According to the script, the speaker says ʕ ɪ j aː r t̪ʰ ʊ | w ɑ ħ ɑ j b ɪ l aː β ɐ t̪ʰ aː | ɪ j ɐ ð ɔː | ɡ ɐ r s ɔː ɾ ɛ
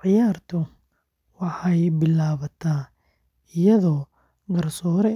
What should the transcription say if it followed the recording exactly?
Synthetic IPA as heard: ʕ ɪ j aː r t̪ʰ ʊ | w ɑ ħ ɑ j b ɪ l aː β ɐ t̪ʰ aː | ɪ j ɐ ð ɔː | ɡ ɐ r s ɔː ɾ ɛ